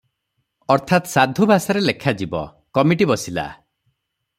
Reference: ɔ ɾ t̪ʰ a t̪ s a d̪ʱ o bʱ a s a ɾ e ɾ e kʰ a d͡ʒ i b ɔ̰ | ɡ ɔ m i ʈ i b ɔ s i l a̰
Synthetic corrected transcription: ɔ ɾ t̪ʰ a t̪ s a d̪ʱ u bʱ a s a ɾ e l e kʰ a d͡ʒ i b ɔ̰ | k ɔ m i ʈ i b ɔ s i l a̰